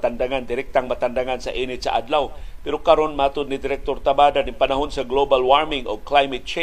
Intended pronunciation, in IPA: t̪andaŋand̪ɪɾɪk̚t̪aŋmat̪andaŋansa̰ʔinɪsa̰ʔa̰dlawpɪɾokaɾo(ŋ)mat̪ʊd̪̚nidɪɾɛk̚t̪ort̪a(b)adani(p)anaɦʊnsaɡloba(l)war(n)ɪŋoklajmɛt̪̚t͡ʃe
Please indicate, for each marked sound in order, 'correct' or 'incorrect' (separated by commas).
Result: incorrect, correct, correct, correct, incorrect